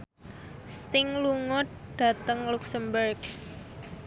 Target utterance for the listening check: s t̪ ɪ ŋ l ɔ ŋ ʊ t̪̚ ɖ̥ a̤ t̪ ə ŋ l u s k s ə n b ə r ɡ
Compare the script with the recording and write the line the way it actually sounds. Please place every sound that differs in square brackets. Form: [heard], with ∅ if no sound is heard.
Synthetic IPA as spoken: s t̪ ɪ ŋ l [u] ŋ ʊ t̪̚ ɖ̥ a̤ t̪ ə ŋ l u [∅] k s ə [m] b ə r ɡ